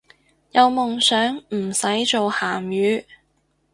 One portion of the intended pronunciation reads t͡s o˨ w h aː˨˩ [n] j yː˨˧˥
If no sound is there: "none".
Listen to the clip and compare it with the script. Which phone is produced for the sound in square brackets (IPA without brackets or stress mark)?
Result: m